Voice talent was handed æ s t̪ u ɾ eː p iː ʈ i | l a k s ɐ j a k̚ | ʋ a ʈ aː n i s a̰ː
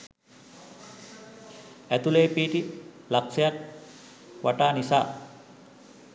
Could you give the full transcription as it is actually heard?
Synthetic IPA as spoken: æ t̪ u l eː p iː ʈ i | l a k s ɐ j a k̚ | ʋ a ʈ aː n i s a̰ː